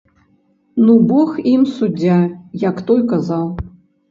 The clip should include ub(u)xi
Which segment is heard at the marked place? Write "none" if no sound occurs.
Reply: ɔ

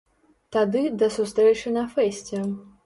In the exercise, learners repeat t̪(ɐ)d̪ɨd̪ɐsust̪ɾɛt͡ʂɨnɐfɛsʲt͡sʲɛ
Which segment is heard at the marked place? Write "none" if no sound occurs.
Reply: a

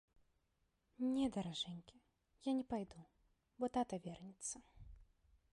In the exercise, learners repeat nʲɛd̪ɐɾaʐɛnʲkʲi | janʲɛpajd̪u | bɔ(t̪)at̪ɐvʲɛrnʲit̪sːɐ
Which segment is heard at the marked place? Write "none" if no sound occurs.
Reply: t̪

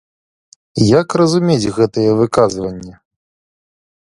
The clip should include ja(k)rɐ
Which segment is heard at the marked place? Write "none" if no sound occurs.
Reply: k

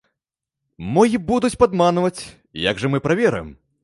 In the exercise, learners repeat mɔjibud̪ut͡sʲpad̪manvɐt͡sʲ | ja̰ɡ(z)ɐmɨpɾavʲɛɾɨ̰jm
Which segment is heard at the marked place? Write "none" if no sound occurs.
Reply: ʐ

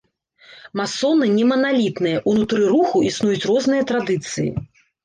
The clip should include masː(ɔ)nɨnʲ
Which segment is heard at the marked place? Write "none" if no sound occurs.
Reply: ɔ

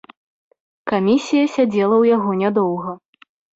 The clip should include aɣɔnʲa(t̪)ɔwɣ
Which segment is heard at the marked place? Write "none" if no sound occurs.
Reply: d̪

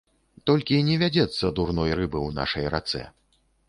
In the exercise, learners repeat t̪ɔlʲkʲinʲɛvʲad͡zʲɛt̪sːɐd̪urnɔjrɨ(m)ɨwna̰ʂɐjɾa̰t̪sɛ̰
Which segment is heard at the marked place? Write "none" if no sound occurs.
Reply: b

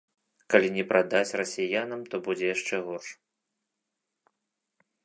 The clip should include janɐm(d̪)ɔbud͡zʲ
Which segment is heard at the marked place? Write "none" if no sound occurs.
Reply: t̪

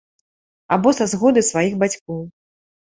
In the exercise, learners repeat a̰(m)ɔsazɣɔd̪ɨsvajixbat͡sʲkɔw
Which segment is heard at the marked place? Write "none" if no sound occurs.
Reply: b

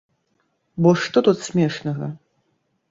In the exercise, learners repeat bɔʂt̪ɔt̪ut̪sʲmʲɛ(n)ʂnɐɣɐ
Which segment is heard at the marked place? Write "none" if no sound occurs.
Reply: none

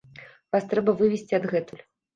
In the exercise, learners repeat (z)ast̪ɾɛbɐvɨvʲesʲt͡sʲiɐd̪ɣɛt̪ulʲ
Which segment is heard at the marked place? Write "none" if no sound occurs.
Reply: v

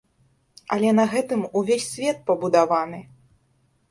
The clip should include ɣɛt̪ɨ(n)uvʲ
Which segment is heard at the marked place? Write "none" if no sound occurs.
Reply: m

